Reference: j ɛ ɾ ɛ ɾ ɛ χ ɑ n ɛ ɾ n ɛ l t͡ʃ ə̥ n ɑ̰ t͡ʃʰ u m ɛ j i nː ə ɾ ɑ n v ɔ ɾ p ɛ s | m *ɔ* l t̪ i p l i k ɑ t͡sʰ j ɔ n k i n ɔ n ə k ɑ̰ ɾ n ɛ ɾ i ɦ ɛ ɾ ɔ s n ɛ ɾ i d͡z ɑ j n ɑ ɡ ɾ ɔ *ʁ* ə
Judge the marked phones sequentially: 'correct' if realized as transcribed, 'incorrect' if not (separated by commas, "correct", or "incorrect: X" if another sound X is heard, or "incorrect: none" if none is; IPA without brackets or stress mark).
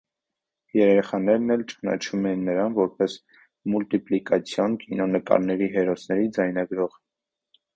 incorrect: u, correct